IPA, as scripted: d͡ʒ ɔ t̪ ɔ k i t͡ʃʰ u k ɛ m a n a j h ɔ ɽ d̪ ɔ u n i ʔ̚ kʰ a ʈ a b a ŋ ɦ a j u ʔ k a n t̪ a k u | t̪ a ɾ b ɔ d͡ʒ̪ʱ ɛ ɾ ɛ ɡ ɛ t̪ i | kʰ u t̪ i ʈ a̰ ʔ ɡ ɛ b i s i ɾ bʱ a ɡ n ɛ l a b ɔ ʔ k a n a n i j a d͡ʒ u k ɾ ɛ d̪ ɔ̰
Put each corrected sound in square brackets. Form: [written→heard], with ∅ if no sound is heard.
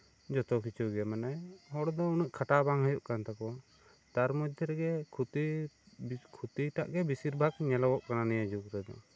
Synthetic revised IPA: d͡ʒ ɔ t̪ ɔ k i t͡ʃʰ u [k→ɡ] ɛ m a n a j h ɔ ɽ d̪ ɔ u n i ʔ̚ kʰ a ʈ a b a ŋ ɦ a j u ʔ k a n t̪ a k [u→ɔ] | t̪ a ɾ [b→m] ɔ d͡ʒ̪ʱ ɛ ɾ ɛ ɡ ɛ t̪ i | kʰ u t̪ i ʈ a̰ ʔ ɡ ɛ b i s i ɾ bʱ a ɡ [n→ɲ] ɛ l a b ɔ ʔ k a n a n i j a d͡ʒ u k ɾ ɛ d̪ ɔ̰